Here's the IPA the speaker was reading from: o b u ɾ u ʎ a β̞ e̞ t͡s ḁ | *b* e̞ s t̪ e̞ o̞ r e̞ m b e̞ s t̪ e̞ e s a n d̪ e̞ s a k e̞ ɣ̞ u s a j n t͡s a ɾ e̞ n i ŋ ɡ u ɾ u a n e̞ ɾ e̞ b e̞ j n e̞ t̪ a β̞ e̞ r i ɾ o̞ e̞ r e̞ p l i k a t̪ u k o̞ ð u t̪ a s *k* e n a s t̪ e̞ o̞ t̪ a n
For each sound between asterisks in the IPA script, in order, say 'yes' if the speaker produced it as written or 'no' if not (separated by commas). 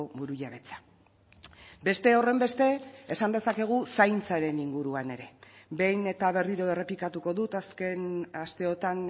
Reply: yes, yes